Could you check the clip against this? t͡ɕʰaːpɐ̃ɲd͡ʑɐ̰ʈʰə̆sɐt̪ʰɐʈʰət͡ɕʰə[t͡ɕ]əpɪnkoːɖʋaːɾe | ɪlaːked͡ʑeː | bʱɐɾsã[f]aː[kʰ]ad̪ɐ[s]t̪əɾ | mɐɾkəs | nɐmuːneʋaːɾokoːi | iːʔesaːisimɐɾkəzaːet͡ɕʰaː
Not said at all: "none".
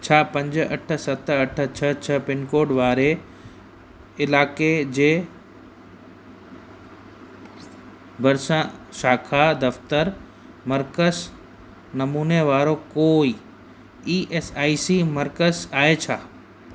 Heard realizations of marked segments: t͡ɕʰ, ʃ, kʰ, f

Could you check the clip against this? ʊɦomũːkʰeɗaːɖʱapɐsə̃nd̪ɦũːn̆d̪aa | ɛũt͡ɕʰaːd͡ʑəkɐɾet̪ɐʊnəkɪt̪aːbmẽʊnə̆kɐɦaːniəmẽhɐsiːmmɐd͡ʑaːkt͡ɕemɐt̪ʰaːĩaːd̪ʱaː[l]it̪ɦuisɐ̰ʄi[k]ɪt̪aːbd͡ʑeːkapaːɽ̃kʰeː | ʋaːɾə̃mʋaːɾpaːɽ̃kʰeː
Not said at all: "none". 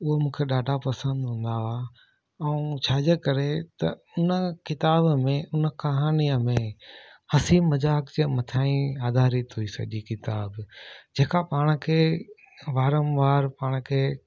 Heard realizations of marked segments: ɾ, k

